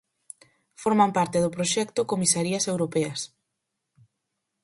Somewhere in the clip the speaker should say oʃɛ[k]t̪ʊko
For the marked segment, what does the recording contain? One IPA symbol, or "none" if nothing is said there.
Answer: k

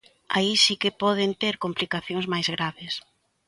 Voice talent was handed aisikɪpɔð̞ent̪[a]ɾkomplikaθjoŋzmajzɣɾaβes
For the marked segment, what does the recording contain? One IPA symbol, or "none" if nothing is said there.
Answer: e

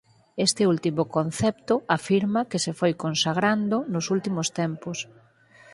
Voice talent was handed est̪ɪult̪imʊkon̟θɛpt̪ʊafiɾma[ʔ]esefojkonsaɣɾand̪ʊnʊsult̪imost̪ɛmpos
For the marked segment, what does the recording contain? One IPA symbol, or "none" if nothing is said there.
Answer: k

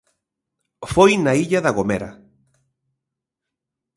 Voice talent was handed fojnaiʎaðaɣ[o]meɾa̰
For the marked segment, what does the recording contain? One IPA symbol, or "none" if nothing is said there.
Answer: o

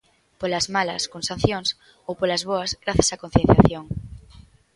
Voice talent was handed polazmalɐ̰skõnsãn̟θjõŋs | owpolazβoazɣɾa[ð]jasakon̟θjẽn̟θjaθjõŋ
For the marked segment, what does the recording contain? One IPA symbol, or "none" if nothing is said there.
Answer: θ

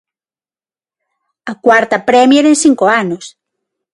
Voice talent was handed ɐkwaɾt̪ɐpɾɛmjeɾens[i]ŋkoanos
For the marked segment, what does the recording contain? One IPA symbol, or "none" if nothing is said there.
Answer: i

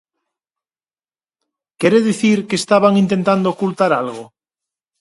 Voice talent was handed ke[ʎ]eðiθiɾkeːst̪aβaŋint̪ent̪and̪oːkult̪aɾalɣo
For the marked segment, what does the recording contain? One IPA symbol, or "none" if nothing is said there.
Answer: ɾ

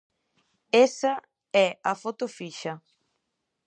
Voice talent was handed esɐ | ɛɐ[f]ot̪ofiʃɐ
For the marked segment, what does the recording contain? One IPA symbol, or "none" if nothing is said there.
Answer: f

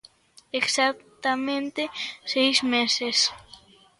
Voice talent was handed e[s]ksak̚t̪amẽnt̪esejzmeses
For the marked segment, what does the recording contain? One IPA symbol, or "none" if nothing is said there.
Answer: none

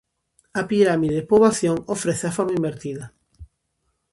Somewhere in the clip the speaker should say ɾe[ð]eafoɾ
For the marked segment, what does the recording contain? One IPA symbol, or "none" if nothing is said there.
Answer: θ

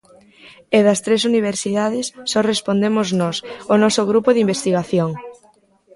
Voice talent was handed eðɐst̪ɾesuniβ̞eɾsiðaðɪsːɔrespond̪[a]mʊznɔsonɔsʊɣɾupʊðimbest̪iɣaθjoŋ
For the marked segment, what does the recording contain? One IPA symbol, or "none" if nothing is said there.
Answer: e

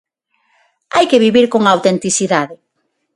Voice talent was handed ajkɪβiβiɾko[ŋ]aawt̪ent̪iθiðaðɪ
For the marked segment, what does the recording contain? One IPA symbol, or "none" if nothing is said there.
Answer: ŋ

